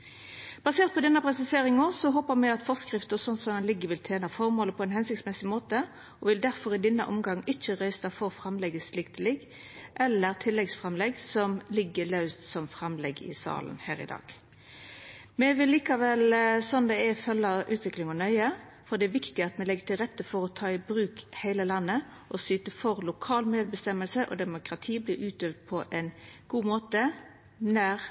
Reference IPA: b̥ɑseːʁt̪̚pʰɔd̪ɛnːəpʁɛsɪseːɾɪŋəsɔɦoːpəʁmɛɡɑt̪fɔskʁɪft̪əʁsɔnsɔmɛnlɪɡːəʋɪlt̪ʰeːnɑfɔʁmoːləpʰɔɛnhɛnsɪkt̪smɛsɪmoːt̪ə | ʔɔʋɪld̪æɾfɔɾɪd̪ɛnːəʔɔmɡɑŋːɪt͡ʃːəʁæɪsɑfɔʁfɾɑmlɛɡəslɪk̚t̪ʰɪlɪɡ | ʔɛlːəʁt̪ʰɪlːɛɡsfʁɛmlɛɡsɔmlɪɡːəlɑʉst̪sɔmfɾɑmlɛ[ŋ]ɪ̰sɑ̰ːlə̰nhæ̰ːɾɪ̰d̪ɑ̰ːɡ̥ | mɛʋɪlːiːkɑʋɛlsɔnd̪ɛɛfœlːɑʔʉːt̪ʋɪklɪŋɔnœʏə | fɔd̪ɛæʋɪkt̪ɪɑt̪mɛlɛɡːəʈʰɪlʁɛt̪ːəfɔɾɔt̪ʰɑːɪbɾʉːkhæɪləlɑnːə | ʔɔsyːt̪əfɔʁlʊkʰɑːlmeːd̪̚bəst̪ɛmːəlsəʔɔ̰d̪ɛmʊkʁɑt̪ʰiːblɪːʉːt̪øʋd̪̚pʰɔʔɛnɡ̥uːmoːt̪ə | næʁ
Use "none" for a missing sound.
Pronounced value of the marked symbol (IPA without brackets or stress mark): ɡ